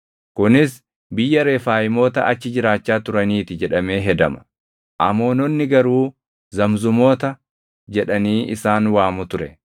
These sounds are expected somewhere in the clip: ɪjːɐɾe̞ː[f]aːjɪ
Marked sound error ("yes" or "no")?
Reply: no